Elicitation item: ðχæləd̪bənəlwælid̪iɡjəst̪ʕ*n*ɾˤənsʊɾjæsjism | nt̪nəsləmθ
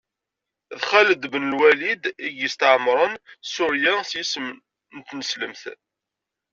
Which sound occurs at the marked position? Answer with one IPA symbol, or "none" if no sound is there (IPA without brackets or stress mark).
m